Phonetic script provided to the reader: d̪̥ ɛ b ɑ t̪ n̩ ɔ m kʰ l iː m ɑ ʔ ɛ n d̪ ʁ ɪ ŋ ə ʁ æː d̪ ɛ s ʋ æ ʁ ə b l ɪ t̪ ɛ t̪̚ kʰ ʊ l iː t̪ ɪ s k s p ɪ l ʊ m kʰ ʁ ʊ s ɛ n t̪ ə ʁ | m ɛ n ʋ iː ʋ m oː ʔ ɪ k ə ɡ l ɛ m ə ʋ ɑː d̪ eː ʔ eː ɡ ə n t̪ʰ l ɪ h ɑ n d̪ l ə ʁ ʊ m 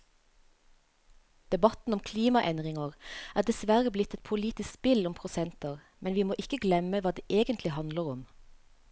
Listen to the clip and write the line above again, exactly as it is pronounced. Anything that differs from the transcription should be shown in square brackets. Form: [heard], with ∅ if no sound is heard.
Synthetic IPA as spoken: d̪̥ ɛ b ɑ t̪ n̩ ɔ m kʰ l iː m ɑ ʔ ɛ n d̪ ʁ ɪ ŋ ə ʁ æː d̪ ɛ s ʋ æ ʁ ə b l ɪ t̪ ɛ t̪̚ [pʰ] ʊ l iː t̪ ɪ s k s p ɪ l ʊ m [pʰ] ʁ ʊ s ɛ n t̪ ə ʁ | m ɛ n ʋ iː [∅] m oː ʔ ɪ k ə ɡ l ɛ m ə ʋ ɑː d̪ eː ʔ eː ɡ ə n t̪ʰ l ɪ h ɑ n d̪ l ə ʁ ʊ m